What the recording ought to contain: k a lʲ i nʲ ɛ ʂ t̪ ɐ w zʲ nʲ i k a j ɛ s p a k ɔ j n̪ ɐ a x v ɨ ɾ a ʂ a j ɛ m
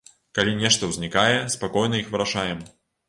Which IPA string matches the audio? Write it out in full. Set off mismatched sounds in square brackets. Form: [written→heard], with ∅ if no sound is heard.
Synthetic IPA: k a lʲ i nʲ ɛ ʂ t̪ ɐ w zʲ nʲ i k a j ɛ s p a k ɔ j n̪ ɐ [a→i] x v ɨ ɾ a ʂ a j ɛ m